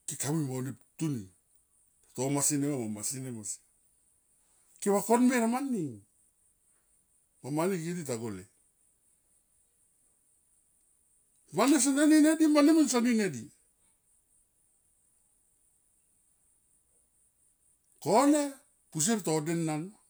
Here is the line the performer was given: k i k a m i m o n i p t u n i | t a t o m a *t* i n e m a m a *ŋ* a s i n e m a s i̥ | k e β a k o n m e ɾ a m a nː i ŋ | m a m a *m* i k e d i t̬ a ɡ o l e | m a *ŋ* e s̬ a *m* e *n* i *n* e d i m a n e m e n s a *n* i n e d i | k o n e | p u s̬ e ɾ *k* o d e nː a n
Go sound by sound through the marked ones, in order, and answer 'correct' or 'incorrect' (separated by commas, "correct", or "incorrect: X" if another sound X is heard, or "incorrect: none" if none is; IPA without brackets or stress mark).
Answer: incorrect: s, incorrect: m, incorrect: n, incorrect: n, incorrect: n, correct, correct, correct, incorrect: t